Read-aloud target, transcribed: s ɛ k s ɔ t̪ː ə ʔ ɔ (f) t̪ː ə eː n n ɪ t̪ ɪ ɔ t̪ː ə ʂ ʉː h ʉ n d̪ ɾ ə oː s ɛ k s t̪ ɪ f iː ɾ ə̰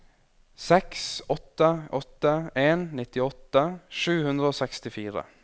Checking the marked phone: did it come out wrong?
yes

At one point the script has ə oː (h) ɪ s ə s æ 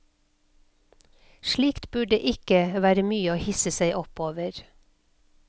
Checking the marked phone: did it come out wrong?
no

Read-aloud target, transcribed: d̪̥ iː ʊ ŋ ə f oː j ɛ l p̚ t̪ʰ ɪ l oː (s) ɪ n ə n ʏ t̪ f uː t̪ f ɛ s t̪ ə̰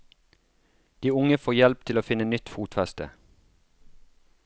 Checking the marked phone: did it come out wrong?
yes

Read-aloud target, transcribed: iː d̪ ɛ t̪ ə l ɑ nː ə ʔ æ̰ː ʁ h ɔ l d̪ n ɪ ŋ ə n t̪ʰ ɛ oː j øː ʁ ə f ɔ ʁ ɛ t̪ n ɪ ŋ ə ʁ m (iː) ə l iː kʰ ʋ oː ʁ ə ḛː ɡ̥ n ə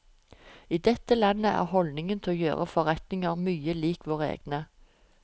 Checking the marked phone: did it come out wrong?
yes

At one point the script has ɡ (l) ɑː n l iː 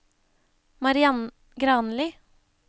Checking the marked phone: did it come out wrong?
yes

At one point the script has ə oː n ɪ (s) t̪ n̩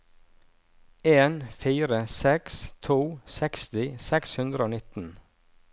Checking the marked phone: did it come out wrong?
yes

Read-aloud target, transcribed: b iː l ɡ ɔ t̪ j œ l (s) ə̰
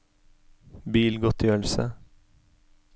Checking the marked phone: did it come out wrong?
no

